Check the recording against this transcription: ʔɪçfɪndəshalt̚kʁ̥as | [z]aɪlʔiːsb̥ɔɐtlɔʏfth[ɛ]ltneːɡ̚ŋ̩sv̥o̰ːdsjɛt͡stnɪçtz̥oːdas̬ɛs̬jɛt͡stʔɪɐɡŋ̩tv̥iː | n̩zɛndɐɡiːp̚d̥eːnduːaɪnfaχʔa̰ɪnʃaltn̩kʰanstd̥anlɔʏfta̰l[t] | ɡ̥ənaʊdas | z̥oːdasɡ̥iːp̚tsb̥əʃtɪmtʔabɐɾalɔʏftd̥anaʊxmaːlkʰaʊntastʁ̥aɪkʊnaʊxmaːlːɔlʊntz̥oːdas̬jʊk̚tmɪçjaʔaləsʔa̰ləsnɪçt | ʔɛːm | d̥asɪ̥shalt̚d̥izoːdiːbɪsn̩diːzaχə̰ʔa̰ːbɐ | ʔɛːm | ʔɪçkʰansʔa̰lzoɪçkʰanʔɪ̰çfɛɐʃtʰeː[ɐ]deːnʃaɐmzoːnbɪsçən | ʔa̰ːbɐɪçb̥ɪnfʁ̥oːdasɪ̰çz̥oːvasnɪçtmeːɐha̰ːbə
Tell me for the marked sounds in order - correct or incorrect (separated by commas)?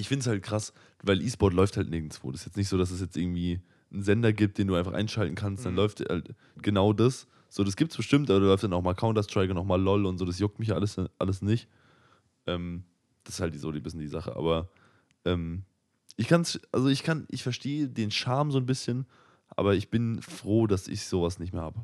incorrect, incorrect, correct, incorrect